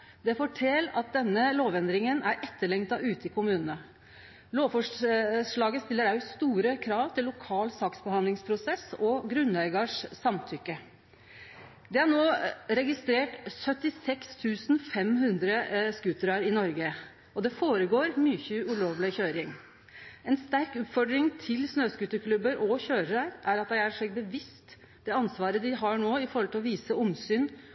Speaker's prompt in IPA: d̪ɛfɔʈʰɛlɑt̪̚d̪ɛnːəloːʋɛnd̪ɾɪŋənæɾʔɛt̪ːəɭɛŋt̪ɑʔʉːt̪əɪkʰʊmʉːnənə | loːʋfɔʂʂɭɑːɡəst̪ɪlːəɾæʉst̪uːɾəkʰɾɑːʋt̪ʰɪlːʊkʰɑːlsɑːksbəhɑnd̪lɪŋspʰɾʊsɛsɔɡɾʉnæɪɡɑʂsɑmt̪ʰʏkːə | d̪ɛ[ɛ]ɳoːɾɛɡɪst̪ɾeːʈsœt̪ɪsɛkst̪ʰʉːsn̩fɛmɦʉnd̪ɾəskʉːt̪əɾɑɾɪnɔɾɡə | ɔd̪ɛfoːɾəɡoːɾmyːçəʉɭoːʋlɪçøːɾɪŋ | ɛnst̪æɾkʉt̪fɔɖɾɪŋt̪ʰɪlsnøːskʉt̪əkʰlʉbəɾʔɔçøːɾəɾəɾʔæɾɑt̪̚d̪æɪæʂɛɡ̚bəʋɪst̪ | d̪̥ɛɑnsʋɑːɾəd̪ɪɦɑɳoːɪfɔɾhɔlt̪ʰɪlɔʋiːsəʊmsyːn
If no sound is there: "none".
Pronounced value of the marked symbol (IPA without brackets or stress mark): æ